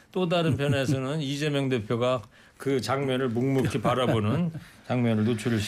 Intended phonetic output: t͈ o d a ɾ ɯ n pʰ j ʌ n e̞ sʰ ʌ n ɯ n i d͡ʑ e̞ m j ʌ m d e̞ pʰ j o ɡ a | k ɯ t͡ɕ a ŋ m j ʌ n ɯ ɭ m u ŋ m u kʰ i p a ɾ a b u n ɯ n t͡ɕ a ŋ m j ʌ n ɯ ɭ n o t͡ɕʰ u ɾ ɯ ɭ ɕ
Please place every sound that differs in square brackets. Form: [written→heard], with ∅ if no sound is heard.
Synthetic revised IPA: t͈ o d a ɾ ɯ n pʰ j ʌ n e̞ sʰ ʌ n ɯ n i d͡ʑ e̞ m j ʌ [m→ŋ] d e̞ pʰ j o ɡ a | k ɯ t͡ɕ a ŋ m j ʌ n ɯ ɭ m u ŋ m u kʰ i p a ɾ a b [u→o] n ɯ n t͡ɕ a ŋ m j ʌ n ɯ ɭ n o t͡ɕʰ u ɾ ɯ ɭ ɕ